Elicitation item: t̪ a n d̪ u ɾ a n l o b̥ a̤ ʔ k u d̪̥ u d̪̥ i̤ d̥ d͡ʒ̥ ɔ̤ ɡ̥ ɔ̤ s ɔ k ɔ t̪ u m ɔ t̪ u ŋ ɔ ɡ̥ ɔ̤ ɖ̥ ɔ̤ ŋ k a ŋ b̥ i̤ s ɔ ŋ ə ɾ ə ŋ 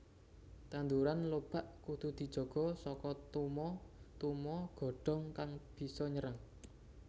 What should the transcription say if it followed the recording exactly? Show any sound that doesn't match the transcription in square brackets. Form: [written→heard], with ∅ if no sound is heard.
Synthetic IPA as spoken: t̪ a n d̪ u ɾ a n l o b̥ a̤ ʔ k u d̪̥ u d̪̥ i̤ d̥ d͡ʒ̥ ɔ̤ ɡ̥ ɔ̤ s ɔ k ɔ t̪ u m ɔ t̪ u [ŋ→m] ɔ ɡ̥ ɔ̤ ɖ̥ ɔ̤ ŋ k a ŋ b̥ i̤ s ɔ [ŋ→ɲ] ə ɾ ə ŋ

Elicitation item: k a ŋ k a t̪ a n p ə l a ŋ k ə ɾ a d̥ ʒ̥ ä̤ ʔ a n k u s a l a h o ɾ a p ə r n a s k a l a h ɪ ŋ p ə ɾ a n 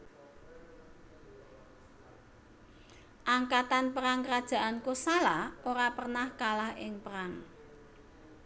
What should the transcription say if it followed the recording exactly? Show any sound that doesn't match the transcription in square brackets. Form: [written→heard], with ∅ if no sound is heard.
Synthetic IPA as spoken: [k→ʔ] a ŋ k a t̪ a n p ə [l→ɾ] a ŋ k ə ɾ a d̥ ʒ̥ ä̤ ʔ a n k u s a l a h o ɾ a p ə r n a [s→h] k a l a h ɪ ŋ p ə ɾ a [n→ŋ]

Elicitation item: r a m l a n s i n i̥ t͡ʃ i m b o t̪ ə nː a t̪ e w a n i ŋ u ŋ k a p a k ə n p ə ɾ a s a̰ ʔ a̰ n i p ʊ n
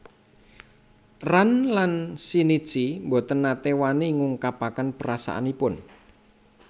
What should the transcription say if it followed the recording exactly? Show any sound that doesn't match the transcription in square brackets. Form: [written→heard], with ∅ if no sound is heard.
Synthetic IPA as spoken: r a [m→n] l a n s i n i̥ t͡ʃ i m b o t̪ ə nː a t̪ e w a n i ŋ u ŋ k a p a k ə n p ə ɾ a s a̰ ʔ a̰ n i p ʊ n

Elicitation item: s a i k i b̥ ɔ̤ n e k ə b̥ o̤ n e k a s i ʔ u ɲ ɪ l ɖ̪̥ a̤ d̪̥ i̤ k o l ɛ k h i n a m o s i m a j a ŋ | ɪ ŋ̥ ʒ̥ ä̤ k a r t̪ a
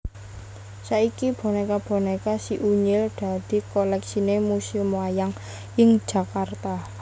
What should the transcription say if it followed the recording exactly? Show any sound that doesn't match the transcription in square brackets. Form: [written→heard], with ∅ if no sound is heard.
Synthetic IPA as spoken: s a i k i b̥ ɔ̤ n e k [ə→a] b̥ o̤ n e k a s i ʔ u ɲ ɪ l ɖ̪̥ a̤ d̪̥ i̤ k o l ɛ k [h→s] i n [a→e] m [o→u] s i m a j a ŋ | ɪ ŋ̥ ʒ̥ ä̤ k a r t̪ a

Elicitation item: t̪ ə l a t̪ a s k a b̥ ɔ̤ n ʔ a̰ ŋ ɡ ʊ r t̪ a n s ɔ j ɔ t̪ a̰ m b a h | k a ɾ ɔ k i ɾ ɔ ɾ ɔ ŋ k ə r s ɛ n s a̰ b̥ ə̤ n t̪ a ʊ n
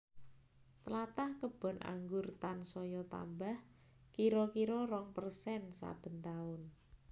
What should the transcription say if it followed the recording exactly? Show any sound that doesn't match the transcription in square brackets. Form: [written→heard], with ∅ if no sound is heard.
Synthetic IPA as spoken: t̪ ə l a t̪ a [s→h] k [a→ə] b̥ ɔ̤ n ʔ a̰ ŋ ɡ ʊ r t̪ a n s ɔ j ɔ t̪ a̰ m b a h | k [a→i] ɾ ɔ k i ɾ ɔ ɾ ɔ ŋ [k→p] ə r s ɛ n s a̰ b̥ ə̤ n t̪ a ʊ n

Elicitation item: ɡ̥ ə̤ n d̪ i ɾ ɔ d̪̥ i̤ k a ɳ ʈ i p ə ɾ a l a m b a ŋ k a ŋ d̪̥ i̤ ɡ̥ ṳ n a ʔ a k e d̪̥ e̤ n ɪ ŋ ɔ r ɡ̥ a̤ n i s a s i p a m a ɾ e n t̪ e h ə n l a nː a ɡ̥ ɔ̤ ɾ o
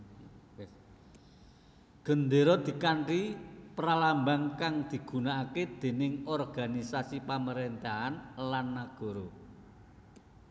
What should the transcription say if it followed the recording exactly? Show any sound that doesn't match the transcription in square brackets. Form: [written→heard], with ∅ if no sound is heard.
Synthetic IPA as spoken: ɡ̥ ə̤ n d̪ [i→e] ɾ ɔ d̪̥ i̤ k a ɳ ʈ i p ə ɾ a l a m b a ŋ k a ŋ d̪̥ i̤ ɡ̥ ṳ n a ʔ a k e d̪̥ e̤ n ɪ ŋ ɔ r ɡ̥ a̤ n i s a s i p a m [a→ə] ɾ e n t̪ [e→a] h [ə→a] n l a nː a ɡ̥ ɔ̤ ɾ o

